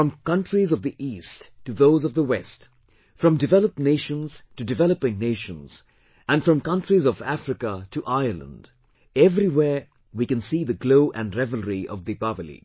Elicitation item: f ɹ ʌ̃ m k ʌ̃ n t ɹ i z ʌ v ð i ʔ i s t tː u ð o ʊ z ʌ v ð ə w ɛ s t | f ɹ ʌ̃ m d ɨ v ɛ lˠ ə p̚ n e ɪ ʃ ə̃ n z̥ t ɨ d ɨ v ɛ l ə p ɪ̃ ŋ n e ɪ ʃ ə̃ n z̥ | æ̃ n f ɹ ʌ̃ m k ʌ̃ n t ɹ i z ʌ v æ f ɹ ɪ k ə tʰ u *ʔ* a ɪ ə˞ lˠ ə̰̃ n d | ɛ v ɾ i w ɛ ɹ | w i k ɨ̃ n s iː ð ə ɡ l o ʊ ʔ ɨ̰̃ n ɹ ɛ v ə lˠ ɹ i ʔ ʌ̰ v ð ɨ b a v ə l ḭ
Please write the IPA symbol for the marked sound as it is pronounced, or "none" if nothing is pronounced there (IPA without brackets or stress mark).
ʔ